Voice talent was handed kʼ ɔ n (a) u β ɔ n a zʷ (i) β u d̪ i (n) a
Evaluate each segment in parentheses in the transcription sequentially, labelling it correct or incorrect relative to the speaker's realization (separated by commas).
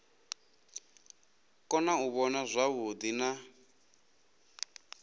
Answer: correct, incorrect, correct